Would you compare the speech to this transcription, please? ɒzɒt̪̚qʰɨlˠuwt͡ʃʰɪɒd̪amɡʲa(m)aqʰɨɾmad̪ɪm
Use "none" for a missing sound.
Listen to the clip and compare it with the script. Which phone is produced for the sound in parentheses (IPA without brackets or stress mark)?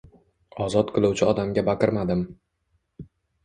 b